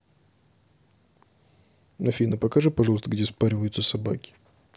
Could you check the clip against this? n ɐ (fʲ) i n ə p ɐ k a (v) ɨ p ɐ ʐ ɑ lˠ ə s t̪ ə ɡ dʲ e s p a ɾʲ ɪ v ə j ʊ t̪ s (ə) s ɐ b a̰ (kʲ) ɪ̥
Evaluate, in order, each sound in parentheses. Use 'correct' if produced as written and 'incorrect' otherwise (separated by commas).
correct, incorrect, correct, correct